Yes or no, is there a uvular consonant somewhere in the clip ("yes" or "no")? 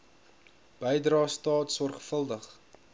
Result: yes